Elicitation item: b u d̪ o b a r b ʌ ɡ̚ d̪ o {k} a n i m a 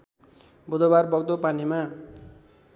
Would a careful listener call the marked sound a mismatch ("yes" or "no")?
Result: yes